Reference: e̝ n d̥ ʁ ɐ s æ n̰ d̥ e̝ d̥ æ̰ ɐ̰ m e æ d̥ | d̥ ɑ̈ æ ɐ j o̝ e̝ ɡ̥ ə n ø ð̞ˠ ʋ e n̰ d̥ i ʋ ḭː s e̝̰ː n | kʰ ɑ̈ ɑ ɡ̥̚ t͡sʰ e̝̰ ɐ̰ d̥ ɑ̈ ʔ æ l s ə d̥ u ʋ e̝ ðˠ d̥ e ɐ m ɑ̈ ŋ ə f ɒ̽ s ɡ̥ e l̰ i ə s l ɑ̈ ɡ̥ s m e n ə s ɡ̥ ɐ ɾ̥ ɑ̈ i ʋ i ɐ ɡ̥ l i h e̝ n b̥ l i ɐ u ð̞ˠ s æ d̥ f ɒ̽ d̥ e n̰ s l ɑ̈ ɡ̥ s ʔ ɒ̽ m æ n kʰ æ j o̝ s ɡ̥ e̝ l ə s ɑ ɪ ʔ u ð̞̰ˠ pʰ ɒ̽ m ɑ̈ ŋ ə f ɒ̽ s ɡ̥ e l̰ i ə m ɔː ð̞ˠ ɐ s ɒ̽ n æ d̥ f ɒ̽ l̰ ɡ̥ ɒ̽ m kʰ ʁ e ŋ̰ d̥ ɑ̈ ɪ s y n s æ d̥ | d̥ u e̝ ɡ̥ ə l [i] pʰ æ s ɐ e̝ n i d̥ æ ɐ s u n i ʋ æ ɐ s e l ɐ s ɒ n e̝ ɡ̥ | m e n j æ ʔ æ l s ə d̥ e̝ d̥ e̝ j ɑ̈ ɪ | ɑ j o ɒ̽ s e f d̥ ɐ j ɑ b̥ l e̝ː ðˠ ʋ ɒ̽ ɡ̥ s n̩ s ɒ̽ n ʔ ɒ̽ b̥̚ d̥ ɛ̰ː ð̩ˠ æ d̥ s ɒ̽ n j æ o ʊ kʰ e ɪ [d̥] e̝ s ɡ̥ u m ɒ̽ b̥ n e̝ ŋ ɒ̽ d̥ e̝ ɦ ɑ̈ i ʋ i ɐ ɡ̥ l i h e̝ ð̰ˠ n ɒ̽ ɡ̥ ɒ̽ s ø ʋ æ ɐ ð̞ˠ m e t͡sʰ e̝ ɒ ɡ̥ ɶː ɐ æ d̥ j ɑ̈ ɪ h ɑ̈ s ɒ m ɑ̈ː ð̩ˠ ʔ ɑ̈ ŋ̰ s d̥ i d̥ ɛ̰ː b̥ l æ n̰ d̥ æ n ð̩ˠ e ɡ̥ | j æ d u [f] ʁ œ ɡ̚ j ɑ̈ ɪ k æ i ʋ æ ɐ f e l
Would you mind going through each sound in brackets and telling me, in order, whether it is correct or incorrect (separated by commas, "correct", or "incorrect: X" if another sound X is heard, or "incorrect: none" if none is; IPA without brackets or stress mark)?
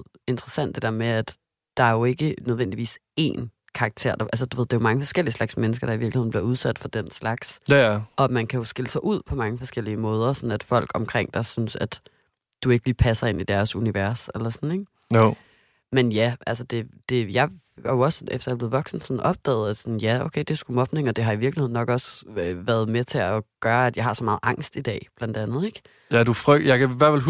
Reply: incorrect: iː, correct, correct